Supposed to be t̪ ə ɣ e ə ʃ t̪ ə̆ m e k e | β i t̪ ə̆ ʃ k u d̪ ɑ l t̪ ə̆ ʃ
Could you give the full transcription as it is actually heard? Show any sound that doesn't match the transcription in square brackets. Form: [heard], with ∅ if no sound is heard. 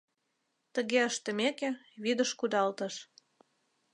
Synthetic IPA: t̪ ə ɣ e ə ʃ t̪ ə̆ m e k e | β i [d̪] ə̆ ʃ k u d̪ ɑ l t̪ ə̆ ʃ